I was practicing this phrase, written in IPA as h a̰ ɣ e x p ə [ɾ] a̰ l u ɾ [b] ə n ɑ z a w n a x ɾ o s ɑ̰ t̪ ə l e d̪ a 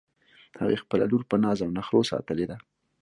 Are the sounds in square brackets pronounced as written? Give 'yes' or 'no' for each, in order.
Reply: no, no

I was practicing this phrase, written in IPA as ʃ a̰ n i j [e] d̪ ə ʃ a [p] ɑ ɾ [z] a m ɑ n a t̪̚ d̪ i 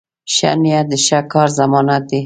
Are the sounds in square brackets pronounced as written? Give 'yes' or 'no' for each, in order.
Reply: no, no, yes

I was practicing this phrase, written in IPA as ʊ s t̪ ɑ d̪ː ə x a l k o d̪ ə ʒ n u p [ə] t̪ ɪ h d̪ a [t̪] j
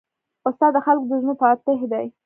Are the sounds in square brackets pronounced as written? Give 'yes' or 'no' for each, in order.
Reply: no, no

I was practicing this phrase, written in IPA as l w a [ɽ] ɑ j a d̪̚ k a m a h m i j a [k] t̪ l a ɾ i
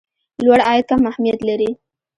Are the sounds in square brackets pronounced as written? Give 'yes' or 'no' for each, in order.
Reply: yes, no

